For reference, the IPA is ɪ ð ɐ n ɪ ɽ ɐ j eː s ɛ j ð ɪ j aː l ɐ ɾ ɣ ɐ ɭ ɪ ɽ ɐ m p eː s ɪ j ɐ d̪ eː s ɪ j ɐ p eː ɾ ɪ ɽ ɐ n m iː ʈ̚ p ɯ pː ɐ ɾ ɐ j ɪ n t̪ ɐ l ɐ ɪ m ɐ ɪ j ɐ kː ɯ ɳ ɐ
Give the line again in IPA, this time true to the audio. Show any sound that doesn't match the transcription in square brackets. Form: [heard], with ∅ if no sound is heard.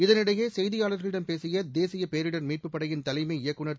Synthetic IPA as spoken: ɪ ð ɐ n ɪ ɽ ɐ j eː s ɛ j ð ɪ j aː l ɐ ɾ ɣ ɐ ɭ ɪ ɽ ɐ m p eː s ɪ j ɐ d̪ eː s ɪ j ɐ p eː ɾ ɪ ɽ ɐ n m iː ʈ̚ p ɯ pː ɐ [ɽ] ɐ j ɪ n t̪ ɐ l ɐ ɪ m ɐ ɪ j ɐ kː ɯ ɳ ɐ